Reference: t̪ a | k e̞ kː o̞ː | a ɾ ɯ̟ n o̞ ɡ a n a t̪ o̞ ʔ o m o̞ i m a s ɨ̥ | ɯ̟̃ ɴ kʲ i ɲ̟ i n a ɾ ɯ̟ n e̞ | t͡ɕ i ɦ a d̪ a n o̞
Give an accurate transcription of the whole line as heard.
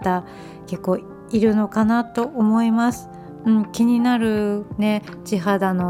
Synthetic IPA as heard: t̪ a | k e̞ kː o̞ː | i ɾ ɯ̟ n o̞ k a n a t̪ o̞ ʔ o m o̞ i m a s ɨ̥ | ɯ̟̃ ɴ kʲ i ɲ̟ i n a ɾ ɯ̟ n e̞ | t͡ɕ i ɦ a d̪ a n o̞